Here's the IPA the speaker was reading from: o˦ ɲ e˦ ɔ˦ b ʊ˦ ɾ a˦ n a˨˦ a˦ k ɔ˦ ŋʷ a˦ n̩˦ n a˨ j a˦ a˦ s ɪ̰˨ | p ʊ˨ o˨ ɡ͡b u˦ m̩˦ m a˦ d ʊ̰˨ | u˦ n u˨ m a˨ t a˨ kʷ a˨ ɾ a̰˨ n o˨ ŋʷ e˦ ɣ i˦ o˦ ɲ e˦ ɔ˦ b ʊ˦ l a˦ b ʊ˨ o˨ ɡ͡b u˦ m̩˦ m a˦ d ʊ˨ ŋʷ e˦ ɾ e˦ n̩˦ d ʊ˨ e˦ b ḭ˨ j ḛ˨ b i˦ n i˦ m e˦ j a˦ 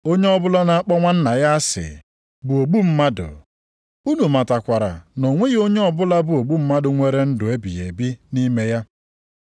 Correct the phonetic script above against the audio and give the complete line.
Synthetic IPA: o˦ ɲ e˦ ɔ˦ b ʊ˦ l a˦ n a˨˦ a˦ k͡p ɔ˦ ŋʷ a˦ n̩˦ n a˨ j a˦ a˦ s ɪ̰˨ | b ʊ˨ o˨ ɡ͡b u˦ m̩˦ m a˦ d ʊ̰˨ | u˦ n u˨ m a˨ t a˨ kʷ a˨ ɾ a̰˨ n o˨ ŋʷ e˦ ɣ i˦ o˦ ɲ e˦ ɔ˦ b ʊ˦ l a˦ b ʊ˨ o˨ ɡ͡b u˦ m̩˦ m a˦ d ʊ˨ ŋʷ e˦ ɾ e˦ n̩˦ d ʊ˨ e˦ b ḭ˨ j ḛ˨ b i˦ n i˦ m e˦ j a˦

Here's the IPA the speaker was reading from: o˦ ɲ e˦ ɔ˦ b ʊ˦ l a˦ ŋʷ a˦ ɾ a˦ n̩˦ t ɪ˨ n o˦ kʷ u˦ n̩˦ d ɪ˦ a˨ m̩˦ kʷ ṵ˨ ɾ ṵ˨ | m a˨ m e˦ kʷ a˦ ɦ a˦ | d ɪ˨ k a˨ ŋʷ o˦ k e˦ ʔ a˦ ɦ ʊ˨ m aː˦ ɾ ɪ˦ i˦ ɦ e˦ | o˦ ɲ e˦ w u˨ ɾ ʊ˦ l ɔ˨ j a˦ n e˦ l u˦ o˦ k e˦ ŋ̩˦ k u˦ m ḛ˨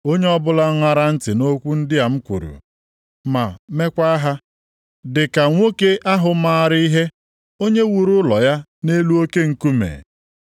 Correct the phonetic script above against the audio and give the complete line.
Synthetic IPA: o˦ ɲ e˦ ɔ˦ b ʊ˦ l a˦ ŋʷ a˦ ɾ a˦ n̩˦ t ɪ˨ n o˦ kʷ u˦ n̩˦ d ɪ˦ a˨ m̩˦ kʷ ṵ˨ ɾ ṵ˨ | m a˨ m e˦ kʷ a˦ ɦ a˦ | d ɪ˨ k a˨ ŋʷ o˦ k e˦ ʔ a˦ ɦ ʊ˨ m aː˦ ɾ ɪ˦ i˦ ɦ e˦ | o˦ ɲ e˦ w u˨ ɾ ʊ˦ l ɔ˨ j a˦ n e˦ l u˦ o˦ k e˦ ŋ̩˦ k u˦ m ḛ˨

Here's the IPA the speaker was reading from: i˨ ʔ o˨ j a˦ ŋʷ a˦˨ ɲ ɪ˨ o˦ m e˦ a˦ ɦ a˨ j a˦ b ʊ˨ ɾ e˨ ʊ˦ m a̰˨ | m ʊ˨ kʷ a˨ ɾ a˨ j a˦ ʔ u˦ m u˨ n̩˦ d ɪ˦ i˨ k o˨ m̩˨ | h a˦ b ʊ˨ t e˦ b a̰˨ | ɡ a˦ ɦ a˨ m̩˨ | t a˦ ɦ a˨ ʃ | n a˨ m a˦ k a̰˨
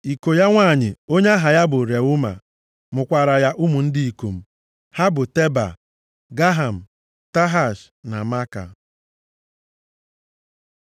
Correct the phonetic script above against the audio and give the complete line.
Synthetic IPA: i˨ k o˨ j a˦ ŋʷ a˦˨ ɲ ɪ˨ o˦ ɲ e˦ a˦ ɦ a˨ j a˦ b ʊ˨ ɾ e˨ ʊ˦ m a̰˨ | m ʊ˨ kʷ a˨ ɾ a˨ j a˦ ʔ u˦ m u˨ n̩˦ d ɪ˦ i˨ k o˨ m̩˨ | h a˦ b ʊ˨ t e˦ b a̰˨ | ɡ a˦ ɦ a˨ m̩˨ | t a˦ ɦ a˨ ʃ | n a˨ m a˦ k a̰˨

